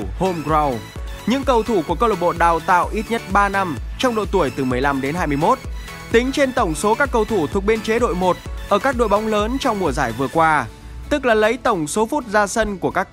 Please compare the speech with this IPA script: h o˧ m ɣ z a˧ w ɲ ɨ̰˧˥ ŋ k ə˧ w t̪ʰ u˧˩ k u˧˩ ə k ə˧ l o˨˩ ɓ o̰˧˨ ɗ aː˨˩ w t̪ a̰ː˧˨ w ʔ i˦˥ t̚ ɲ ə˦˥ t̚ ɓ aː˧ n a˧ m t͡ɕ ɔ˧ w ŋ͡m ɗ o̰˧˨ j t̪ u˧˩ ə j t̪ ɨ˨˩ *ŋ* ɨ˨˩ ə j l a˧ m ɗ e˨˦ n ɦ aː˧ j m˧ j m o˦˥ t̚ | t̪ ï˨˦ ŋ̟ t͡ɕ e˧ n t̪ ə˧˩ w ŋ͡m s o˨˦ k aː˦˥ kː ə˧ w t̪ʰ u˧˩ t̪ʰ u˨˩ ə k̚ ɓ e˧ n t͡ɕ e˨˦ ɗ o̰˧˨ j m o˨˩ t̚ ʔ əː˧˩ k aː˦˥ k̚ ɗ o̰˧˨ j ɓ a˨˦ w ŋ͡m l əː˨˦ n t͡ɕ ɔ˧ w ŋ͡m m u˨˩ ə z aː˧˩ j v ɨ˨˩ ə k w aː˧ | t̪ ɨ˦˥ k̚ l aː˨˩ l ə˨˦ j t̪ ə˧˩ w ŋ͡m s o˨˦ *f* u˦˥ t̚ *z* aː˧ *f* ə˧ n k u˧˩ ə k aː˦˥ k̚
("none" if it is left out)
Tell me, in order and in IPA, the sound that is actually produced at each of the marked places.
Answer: m, f, z, s

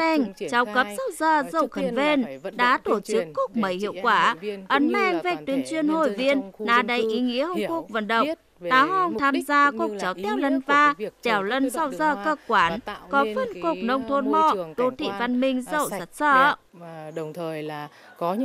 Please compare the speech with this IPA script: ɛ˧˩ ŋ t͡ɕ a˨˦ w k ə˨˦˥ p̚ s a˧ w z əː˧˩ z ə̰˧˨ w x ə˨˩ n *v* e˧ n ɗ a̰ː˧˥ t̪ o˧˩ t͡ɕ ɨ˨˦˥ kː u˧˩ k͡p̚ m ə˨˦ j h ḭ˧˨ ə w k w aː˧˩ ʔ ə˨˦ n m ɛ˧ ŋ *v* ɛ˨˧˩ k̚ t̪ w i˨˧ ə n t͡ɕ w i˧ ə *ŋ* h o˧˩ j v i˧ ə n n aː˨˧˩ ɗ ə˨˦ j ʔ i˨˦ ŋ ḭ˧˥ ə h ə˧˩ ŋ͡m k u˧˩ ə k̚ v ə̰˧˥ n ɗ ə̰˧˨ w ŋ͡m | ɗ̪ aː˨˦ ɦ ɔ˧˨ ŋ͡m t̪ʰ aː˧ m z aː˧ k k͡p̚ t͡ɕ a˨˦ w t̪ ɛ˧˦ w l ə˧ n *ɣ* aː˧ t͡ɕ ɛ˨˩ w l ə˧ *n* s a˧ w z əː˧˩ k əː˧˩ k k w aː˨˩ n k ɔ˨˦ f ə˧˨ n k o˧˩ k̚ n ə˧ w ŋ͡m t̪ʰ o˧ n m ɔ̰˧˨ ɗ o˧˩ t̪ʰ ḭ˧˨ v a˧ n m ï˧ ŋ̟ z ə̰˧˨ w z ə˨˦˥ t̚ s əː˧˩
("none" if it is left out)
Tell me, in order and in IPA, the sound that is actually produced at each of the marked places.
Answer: v, v, n, v, n

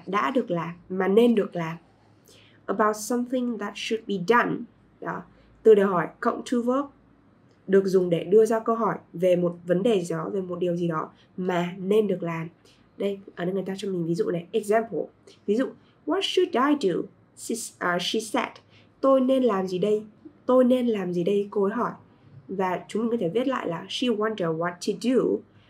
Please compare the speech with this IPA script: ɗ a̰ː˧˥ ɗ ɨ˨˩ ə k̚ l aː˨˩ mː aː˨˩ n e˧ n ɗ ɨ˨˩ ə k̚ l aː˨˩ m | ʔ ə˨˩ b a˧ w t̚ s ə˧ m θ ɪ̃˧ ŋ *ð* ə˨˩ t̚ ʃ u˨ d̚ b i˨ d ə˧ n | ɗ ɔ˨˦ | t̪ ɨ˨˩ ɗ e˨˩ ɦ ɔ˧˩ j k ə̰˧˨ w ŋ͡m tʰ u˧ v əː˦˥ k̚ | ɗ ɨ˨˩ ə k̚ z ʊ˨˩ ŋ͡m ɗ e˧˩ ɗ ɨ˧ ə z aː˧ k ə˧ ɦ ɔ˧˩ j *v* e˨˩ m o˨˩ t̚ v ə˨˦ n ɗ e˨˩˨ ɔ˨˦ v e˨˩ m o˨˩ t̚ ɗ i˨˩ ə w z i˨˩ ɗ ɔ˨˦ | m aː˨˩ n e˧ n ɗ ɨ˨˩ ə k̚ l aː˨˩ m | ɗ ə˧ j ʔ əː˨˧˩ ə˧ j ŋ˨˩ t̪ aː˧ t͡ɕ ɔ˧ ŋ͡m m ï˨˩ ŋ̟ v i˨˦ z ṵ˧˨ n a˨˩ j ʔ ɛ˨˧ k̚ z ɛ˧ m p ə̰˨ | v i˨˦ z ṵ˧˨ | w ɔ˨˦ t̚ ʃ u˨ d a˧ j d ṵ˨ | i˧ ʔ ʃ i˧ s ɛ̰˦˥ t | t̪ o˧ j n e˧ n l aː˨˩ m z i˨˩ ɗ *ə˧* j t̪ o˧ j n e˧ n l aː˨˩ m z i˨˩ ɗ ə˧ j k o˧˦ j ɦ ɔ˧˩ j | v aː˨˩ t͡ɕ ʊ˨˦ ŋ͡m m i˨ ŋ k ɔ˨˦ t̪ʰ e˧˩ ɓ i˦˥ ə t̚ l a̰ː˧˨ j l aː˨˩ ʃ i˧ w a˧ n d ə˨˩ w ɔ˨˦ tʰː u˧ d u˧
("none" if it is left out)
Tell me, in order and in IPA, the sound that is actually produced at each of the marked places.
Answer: ð, v, ə˧

